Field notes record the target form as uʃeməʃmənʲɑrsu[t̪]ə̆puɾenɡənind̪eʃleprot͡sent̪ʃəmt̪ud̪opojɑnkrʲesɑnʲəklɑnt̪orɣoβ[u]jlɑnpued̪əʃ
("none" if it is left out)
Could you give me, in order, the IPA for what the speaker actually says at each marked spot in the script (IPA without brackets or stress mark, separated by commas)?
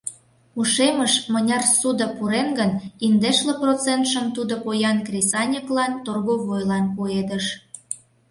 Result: d̪, o